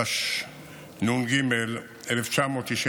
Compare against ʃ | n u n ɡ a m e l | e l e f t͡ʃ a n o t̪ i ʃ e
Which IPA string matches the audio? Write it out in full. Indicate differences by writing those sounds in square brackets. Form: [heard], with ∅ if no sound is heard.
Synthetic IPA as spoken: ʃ | n u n ɡ [i] m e l | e l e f t͡ʃ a [m] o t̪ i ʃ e